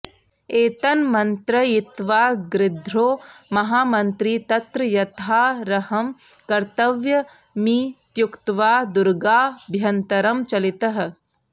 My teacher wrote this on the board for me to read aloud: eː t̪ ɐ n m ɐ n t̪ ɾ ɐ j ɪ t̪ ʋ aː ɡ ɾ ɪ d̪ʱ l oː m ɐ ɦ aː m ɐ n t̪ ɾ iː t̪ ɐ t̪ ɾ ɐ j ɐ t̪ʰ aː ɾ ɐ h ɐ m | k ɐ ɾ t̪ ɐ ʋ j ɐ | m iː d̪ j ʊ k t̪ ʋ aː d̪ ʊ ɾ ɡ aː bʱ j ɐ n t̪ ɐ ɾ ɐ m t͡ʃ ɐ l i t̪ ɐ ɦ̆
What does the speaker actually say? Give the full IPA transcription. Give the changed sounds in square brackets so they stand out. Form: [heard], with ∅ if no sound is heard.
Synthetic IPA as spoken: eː t̪ ɐ n m ɐ n t̪ ɾ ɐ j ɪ t̪ ʋ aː ɡ ɾ ɪ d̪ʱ [ɾ] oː m ɐ ɦ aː m ɐ n t̪ ɾ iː t̪ ɐ t̪ ɾ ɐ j ɐ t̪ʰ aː ɾ ɐ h ɐ m | k ɐ ɾ t̪ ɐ ʋ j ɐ | m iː [t̪] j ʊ k t̪ ʋ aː d̪ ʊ ɾ ɡ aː bʱ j ɐ n t̪ ɐ ɾ ɐ m t͡ʃ ɐ l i t̪ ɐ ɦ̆